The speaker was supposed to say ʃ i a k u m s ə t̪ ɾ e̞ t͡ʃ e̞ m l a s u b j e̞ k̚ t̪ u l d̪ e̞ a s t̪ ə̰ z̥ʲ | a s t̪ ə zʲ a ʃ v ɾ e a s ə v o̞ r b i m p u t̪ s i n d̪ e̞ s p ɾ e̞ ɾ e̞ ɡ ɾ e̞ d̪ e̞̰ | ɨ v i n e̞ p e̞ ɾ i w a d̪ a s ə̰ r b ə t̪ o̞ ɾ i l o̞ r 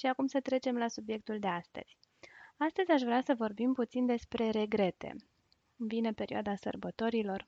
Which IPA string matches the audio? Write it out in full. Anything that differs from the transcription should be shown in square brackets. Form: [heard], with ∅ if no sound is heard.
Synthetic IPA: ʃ i a k u m s ə t̪ ɾ e̞ t͡ʃ e̞ m l a s u b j e̞ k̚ t̪ u l d̪ e̞ a s t̪ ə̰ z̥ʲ | a s t̪ ə zʲ a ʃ v ɾ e a s ə v o̞ r b i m p u t̪ s i n d̪ e̞ s p ɾ e̞ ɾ e̞ ɡ ɾ e̞ [t̪] e̞̰ | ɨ v i n e̞ p e̞ ɾ i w a d̪ a s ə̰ r b ə t̪ o̞ ɾ i l o̞ r